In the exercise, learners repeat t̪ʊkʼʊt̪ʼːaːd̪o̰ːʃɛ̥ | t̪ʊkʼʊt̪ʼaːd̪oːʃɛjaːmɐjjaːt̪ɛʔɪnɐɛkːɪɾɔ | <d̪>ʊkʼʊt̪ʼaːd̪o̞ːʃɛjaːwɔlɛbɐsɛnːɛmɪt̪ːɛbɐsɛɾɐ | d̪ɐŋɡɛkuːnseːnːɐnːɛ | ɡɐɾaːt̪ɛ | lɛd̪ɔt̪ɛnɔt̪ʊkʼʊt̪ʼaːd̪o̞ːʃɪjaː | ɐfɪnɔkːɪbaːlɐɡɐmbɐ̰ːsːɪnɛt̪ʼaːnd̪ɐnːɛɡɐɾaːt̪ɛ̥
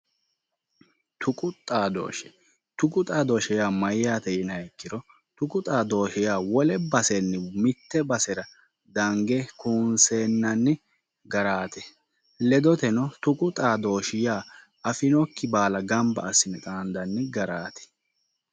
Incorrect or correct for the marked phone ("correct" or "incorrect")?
incorrect